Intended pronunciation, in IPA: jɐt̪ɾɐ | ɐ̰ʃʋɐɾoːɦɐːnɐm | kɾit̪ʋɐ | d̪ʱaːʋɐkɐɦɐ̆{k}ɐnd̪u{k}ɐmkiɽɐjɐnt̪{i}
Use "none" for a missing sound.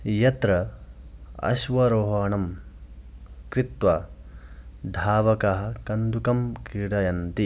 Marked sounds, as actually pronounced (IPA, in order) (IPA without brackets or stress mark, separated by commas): k, k, i